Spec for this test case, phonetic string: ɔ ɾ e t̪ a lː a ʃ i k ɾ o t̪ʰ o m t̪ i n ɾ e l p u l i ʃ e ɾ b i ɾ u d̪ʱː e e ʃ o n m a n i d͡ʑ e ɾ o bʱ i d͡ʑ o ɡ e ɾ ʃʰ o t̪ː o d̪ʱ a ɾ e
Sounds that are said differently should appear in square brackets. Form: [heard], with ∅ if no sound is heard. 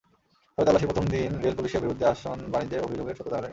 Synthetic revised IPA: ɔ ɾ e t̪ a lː a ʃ i [p] ɾ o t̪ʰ o m [d̪] i n ɾ e l p u l i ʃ e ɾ b i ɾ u d̪ʱː e [a] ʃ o n [b] a n i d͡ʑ e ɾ o bʱ i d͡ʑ o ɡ e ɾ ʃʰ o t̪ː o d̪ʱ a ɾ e